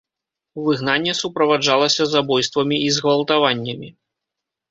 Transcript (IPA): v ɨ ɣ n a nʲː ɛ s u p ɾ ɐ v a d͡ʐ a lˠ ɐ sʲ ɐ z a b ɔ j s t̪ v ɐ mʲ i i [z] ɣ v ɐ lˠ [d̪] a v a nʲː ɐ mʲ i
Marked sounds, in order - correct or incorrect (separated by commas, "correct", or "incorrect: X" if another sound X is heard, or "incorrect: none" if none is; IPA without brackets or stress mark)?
correct, incorrect: t̪